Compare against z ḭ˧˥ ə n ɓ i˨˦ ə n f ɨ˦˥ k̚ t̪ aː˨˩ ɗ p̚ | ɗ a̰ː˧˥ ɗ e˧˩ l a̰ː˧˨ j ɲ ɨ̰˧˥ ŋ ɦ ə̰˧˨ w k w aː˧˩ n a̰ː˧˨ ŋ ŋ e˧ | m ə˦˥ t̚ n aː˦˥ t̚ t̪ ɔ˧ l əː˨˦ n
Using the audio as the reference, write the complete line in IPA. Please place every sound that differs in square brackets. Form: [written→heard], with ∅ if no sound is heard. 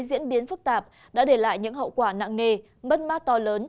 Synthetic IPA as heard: z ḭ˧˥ ə n ɓ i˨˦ ə n f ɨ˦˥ k̚ t̪ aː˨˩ [ɗ→∅] p̚ | ɗ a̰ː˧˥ ɗ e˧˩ l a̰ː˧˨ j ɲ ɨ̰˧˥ ŋ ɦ ə̰˧˨ w k w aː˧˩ n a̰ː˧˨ ŋ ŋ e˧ | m ə˦˥ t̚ [n→m] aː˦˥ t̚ t̪ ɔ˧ l əː˨˦ n